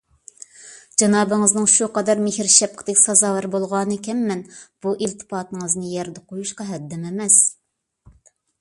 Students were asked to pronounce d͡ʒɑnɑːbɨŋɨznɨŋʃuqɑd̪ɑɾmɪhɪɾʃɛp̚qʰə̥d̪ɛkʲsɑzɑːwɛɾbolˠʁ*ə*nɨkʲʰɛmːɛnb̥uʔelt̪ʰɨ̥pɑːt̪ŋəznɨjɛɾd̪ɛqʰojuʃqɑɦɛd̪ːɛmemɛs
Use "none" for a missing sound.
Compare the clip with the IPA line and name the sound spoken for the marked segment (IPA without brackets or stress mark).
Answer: ɑ